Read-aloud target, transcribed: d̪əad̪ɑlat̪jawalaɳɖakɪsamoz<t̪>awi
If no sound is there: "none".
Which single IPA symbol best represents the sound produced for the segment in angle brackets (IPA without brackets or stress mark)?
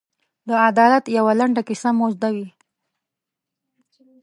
d̪